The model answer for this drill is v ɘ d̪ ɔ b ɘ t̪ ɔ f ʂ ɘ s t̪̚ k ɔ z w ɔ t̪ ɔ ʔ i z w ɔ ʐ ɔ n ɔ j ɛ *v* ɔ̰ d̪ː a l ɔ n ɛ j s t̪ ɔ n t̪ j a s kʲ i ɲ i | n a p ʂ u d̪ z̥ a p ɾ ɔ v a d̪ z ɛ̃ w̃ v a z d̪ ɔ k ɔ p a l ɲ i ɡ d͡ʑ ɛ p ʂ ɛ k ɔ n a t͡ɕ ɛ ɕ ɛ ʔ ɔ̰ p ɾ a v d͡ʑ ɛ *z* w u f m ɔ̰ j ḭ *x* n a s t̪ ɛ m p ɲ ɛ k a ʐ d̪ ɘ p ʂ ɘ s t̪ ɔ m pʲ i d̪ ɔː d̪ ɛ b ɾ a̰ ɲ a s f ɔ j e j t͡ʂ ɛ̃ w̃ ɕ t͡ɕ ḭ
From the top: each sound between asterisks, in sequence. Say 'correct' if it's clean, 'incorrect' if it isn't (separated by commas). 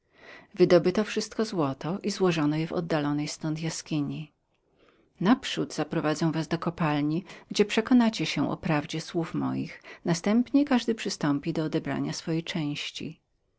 correct, incorrect, correct